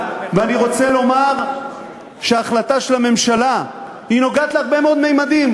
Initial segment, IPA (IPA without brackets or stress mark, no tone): v